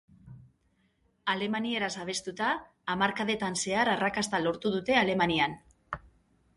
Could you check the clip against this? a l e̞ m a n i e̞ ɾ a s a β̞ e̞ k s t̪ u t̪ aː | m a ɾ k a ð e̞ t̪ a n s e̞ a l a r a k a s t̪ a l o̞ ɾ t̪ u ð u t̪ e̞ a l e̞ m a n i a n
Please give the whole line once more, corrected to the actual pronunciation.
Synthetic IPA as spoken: a l e̞ m a n i e̞ ɾ a s a β̞ e̞ s t̪ u t̪ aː | m a ɾ k a ð e̞ t̪ a n s e̞ a ɾ a r a k a s t̪ a l o̞ ɾ t̪ u ð u t̪ e̞ a l e̞ m a n i a n